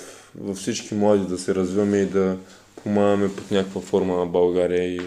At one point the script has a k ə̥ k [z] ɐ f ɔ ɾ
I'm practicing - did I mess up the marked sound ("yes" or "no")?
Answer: yes